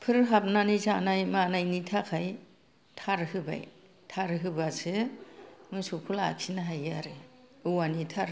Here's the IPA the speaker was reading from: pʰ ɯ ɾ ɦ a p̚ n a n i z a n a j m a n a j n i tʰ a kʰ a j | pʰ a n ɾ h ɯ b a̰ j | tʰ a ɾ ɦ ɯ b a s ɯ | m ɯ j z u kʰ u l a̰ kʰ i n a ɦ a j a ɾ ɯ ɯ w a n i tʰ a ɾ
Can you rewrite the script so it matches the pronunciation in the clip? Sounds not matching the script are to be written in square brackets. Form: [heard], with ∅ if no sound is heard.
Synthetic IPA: pʰ ɯ ɾ ɦ a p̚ n a n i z a n a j m a n a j n i tʰ a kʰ a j | [tʰ] a [∅] ɾ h ɯ b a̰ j | tʰ a ɾ ɦ ɯ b a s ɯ | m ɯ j [s] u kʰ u l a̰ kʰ i n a ɦ a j a ɾ ɯ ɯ w a n i tʰ a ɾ

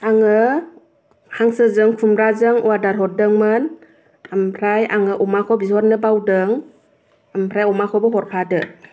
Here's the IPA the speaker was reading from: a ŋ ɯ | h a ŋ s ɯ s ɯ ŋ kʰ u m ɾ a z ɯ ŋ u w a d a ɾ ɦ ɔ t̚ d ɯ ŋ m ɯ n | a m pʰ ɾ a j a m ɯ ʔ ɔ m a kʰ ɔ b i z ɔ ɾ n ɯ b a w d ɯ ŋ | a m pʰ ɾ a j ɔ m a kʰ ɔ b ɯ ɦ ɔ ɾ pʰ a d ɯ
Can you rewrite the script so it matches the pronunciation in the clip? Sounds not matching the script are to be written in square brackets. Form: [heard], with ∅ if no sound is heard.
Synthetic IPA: a ŋ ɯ | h a ŋ s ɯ [z] ɯ ŋ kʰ u m ɾ a z ɯ ŋ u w a d a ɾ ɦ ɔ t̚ d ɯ ŋ m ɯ n | a m pʰ ɾ a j a [ŋ] ɯ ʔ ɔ m a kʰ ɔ b i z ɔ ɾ n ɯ b a w d ɯ ŋ | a m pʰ ɾ a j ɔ m a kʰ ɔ b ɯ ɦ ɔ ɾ [kʰ] a d ɯ

